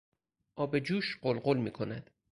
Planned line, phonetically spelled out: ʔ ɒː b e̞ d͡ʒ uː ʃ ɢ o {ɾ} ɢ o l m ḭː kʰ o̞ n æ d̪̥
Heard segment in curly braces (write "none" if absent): l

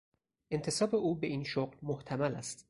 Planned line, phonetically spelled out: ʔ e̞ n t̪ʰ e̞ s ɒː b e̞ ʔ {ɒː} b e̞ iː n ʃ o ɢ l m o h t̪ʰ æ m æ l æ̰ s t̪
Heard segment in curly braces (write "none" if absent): uː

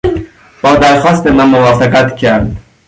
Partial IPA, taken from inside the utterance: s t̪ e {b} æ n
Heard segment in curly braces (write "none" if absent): m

